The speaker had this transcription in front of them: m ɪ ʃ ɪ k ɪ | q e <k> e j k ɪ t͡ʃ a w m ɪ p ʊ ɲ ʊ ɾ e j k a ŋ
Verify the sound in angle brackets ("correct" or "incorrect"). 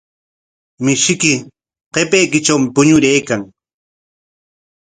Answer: incorrect